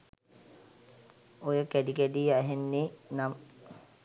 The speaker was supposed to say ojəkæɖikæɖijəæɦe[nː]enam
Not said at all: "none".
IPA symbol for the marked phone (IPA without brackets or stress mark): nː